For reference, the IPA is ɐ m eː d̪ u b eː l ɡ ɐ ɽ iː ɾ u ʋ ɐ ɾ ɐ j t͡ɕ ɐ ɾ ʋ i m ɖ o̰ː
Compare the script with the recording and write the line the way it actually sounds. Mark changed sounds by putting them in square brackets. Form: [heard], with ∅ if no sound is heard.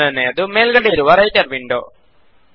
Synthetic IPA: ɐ [n] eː d̪ u [m] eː l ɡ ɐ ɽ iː ɾ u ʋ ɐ ɾ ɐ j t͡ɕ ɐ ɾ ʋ i [ɳ] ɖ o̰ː